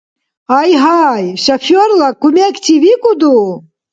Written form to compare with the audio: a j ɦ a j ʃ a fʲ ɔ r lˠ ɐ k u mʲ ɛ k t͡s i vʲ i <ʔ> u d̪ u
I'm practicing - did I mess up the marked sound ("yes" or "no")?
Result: yes